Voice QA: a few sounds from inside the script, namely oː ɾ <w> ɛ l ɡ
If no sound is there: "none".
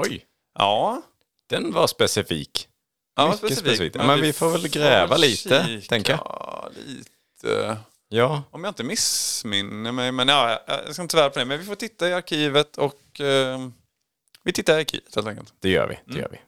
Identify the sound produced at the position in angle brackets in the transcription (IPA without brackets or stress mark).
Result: v